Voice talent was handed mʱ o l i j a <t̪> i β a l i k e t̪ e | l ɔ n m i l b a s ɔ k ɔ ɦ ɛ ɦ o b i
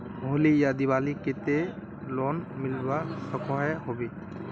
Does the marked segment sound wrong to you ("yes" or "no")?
yes